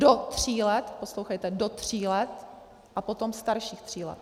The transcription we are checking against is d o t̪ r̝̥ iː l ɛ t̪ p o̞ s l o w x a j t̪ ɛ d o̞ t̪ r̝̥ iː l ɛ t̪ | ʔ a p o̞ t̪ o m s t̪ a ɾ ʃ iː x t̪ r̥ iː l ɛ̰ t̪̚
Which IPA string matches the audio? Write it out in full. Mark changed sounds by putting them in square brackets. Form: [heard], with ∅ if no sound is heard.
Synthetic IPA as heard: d o t̪ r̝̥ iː l ɛ t̪ p o̞ s l o w x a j t̪ ɛ d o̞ t̪ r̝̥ iː l ɛ t̪ | ʔ a p o̞ t̪ o m s t̪ a ɾ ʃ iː x t̪ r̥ iː l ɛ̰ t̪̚